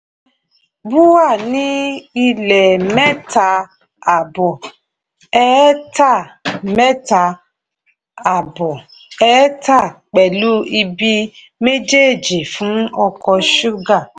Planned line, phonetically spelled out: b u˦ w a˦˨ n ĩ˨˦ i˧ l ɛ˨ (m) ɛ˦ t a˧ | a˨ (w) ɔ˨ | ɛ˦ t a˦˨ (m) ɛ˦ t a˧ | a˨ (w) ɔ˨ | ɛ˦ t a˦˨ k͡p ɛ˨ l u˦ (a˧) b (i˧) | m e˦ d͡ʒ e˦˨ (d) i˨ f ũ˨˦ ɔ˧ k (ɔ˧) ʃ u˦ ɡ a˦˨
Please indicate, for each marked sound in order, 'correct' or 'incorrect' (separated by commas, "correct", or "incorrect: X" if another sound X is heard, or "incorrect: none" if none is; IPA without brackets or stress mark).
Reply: correct, incorrect: b, correct, incorrect: b, incorrect: i˧, correct, incorrect: d͡ʒ, correct